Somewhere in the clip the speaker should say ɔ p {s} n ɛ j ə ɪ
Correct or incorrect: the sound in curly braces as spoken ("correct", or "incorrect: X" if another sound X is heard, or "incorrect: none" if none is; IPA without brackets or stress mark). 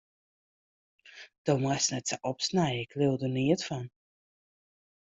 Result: correct